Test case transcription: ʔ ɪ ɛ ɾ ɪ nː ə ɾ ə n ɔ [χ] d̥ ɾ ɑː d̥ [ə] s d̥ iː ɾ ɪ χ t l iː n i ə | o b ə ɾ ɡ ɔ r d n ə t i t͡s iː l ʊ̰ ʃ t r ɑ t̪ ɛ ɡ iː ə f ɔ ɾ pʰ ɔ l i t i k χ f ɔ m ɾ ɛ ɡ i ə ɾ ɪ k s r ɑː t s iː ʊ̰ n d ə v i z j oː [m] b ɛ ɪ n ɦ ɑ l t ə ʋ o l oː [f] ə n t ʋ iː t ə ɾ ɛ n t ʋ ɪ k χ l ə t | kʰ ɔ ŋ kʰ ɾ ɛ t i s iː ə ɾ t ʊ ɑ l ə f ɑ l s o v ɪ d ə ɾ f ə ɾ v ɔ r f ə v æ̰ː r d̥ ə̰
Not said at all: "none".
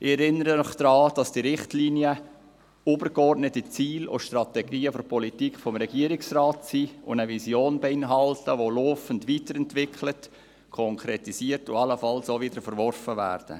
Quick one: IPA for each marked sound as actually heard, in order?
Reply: χ, ɑ, n, f

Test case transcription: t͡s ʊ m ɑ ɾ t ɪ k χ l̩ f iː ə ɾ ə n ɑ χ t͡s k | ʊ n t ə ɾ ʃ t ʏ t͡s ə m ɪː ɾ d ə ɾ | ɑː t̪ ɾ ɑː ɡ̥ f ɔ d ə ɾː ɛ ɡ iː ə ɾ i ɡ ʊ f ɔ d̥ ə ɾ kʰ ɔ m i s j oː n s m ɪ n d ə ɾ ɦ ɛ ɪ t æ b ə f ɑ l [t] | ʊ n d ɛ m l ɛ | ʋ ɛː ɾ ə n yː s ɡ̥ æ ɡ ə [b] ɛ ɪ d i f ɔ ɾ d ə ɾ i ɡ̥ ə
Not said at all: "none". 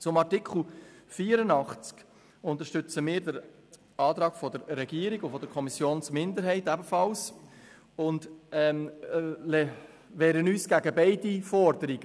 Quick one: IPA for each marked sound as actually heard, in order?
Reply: s, b

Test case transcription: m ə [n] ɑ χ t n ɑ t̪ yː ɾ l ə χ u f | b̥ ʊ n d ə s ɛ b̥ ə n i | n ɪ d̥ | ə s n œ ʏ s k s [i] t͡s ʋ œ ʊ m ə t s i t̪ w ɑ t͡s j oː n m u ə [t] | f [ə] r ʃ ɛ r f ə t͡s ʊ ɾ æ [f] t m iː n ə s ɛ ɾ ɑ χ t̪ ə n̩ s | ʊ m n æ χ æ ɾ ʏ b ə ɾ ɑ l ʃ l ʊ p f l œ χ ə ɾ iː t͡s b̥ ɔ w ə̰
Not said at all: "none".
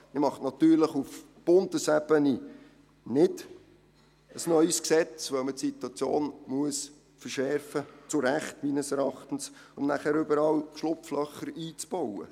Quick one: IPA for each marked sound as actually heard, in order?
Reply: m, ɛ, s, ə, χ

